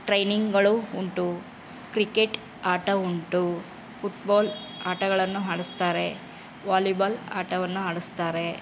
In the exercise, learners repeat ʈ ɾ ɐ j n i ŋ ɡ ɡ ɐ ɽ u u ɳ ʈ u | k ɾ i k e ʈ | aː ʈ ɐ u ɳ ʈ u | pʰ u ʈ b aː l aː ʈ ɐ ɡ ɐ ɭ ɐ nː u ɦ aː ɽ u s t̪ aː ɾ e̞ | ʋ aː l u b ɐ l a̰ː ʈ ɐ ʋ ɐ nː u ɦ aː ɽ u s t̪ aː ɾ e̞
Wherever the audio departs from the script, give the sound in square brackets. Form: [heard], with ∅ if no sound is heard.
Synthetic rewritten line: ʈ ɾ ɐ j n i ŋ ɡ ɡ ɐ [ɭ] u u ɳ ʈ u | k ɾ i k e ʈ | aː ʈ ɐ u ɳ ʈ u | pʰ u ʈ b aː l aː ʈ ɐ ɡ ɐ ɭ ɐ nː u ɦ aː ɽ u s t̪ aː ɾ e̞ | ʋ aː l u b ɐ l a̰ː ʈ ɐ ʋ ɐ nː u ɦ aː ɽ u s t̪ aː ɾ e̞